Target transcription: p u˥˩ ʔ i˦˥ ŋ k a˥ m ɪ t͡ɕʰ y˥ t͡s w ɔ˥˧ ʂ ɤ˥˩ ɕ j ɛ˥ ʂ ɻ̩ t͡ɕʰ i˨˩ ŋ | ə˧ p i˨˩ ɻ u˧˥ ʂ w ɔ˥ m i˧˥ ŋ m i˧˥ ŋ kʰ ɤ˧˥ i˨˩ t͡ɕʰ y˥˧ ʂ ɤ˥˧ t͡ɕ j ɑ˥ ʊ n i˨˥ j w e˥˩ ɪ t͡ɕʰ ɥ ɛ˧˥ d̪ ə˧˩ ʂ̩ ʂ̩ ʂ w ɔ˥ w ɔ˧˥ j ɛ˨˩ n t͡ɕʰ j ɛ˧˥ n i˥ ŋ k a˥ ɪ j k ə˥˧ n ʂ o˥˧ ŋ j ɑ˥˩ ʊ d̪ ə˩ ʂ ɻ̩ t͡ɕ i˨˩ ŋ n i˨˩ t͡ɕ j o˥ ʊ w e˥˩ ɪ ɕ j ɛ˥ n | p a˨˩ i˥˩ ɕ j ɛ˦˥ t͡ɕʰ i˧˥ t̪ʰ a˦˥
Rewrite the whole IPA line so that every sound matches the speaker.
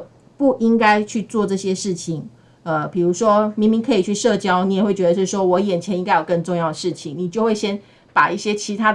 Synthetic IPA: p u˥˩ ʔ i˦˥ ŋ k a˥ ɪ t͡ɕʰ y˥˧ t͡s w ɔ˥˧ ʈ͡ʂ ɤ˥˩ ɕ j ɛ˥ ʂ ɻ̩ t͡ɕʰ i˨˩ ŋ | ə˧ p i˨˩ ɻ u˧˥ ʂ w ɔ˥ m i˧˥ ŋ m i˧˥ ŋ kʰ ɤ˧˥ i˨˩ t͡ɕʰ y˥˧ ʂ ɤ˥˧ t͡ɕ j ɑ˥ ʊ n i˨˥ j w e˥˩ ɪ t͡ɕ ɥ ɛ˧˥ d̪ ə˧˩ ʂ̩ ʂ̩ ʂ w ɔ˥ w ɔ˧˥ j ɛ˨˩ n t͡ɕʰ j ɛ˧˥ n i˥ ŋ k a˥ ɪ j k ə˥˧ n ʈ͡ʂ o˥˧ ŋ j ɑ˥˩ ʊ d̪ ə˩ ʂ ɻ̩ t͡ɕʰ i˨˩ ŋ n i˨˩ t͡ɕ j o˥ ʊ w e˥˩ ɪ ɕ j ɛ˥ n | p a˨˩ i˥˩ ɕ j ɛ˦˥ t͡ɕʰ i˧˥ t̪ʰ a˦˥